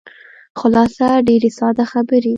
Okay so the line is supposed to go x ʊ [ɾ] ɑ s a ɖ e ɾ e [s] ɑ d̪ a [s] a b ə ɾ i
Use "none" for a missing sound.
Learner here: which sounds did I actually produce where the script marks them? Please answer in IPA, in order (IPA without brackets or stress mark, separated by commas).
l, s, x